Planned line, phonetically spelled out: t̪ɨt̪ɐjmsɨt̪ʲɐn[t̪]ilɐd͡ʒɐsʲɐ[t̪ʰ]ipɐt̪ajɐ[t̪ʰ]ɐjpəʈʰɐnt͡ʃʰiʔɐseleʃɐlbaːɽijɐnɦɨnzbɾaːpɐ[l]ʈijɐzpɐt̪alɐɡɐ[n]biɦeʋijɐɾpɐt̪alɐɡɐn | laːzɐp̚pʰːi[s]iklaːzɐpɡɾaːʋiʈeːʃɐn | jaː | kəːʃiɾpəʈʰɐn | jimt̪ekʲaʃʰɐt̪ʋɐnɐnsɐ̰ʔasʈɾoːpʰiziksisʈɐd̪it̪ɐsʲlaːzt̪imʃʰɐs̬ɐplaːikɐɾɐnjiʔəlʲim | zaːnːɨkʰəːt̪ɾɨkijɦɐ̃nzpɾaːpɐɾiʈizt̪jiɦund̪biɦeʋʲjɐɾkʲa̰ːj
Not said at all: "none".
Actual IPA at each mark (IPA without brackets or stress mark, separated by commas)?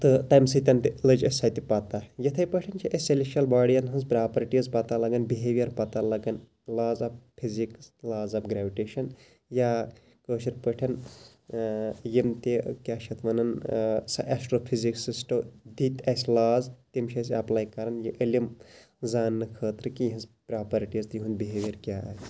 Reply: t̪, t̪, t̪ʰ, ɾ, n, z